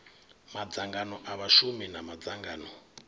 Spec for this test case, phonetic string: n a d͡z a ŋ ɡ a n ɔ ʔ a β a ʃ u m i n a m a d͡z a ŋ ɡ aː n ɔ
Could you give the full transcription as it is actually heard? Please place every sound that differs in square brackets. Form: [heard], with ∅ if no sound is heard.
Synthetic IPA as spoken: [m] a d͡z a ŋ ɡ a n ɔ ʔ a β a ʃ u m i n a m a d͡z a ŋ ɡ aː n ɔ